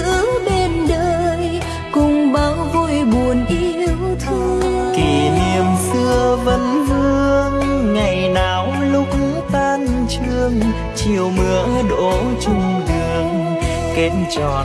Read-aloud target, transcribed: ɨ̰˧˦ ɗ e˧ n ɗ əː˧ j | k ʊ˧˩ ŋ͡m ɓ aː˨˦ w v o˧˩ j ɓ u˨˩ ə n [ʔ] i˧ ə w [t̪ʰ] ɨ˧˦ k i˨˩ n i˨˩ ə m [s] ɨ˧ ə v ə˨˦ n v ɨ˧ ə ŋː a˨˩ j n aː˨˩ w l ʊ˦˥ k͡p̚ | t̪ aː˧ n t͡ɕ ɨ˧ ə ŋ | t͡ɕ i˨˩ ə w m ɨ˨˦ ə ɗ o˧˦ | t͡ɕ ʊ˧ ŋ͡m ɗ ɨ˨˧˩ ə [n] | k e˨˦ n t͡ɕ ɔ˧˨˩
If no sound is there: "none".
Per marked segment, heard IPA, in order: ʔ, t̪ʰ, s, ŋ

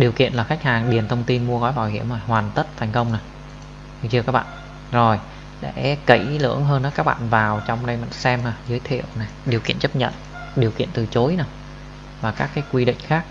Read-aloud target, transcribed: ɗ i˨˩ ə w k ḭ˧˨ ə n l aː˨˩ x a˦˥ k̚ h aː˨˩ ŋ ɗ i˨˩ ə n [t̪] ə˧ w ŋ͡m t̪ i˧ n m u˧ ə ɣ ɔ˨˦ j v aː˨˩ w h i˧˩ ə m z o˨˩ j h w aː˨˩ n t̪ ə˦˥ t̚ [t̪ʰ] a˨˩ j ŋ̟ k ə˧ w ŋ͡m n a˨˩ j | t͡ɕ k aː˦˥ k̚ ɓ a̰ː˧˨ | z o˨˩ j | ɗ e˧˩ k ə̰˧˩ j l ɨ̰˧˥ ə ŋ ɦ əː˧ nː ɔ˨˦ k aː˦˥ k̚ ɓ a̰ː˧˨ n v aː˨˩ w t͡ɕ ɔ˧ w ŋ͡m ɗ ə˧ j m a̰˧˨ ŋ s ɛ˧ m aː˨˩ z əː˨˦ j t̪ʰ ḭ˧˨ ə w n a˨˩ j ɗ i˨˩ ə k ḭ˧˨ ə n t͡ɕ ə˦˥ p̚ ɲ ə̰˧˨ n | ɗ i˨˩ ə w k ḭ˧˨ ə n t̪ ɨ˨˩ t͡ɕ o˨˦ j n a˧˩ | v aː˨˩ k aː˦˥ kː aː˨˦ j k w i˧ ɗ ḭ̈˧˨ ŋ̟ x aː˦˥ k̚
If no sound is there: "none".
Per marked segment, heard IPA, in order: t̪ʰ, t̪ʰ

